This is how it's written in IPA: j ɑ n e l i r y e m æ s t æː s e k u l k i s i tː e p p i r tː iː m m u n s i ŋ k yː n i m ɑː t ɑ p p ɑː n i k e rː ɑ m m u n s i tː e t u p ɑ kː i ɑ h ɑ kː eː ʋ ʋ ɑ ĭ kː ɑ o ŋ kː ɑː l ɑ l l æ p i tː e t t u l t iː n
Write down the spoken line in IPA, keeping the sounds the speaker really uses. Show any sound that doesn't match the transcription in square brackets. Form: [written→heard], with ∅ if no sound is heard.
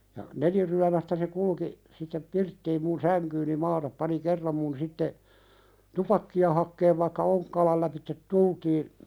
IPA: j ɑ n e l i r y [e→æ] m æ s t [æː→æ] s e k u l k i s i tː e p p i r tː iː m m u n s [i→æ] ŋ k yː n i m ɑː t ɑ p p [ɑː→ɑ] n i k e rː ɑ m m u n s i tː e t u p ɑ kː i ɑ h ɑ kː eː ʋ ʋ ɑ ĭ kː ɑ o ŋ kː ɑː l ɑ l l æ p i tː e t t u l t iː n